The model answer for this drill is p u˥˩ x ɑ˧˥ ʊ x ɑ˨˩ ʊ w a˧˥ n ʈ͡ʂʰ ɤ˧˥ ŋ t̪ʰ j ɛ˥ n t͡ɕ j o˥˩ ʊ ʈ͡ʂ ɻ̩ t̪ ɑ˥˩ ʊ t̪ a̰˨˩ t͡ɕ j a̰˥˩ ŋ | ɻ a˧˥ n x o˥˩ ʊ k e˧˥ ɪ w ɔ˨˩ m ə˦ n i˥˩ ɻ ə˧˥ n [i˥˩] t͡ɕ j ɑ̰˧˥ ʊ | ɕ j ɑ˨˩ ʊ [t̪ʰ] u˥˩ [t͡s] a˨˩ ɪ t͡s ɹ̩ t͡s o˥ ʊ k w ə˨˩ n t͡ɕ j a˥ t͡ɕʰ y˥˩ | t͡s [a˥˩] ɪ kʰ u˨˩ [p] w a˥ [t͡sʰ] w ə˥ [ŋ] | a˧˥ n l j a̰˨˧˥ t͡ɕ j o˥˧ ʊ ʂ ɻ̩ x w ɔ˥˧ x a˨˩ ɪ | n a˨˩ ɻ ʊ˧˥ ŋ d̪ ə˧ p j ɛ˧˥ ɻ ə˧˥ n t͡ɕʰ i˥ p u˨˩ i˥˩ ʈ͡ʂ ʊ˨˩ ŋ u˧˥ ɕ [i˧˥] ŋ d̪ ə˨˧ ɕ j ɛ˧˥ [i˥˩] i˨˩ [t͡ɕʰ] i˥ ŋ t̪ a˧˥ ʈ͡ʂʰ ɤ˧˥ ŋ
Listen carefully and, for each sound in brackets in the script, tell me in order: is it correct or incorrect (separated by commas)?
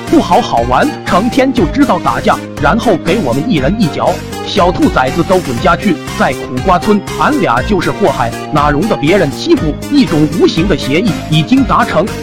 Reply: correct, correct, correct, correct, incorrect, correct, incorrect, correct, correct, incorrect